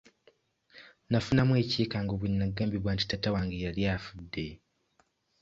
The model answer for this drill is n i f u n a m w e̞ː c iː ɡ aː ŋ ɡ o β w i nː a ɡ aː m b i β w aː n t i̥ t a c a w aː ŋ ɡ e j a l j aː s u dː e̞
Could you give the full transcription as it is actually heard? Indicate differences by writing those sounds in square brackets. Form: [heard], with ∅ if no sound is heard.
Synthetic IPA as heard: n [a] f u n a m w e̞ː c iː [k] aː ŋ ɡ o β w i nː a ɡ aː m b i β w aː n t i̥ t a [t] a w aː ŋ ɡ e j a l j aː [f] u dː e̞